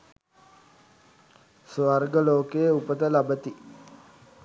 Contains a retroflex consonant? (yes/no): no